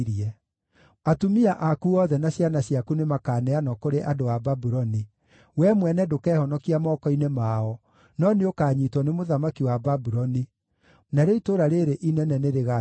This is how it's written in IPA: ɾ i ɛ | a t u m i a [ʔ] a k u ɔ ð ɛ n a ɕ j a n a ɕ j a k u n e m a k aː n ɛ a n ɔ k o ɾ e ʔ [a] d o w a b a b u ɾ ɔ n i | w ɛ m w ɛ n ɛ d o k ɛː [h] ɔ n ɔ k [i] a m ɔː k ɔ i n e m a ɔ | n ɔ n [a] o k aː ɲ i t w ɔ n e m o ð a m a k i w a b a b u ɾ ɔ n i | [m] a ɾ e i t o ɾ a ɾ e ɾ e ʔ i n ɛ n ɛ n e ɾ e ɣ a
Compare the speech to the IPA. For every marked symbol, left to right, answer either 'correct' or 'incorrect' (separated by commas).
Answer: correct, correct, correct, correct, incorrect, incorrect